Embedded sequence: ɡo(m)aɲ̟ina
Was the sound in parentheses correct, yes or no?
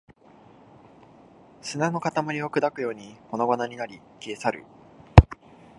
no